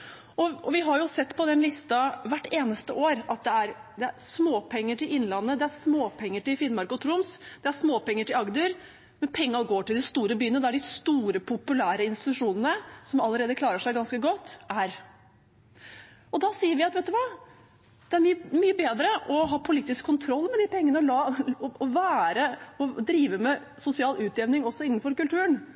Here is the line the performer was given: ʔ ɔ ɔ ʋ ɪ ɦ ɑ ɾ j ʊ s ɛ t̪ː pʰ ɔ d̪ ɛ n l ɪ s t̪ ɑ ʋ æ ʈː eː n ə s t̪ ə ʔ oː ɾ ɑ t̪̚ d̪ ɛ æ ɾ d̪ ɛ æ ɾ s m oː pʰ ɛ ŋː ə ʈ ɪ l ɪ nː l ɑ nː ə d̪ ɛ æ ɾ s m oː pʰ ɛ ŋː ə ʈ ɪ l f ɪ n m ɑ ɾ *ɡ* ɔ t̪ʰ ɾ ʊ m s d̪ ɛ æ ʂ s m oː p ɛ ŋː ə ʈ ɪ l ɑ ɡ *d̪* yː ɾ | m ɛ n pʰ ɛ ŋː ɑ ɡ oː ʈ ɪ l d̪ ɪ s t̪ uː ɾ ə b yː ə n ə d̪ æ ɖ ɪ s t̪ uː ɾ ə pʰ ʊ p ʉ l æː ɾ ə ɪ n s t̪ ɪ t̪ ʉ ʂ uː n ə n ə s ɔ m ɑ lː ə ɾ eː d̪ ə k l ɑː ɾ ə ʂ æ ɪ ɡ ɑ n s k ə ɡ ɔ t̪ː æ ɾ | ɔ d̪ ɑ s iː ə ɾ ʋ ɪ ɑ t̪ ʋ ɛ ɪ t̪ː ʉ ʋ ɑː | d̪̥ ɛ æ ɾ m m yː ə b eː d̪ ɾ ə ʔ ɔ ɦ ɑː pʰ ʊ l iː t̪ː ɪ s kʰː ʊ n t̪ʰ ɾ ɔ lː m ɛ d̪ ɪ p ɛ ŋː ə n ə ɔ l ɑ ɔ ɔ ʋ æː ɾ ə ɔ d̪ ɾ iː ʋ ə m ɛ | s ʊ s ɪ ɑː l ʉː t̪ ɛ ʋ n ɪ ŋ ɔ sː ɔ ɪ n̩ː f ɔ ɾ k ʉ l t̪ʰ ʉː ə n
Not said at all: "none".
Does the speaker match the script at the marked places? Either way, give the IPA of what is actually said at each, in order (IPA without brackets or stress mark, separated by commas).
k, d̪